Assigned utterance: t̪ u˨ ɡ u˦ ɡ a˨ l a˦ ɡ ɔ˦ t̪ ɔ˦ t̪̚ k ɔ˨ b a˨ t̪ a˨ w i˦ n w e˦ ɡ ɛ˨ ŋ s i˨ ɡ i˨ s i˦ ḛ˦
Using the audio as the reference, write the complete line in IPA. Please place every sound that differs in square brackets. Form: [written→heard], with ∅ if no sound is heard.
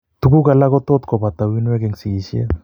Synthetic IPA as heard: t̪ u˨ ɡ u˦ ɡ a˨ l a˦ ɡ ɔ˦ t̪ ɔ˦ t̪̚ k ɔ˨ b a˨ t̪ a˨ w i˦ n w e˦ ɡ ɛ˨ ŋ s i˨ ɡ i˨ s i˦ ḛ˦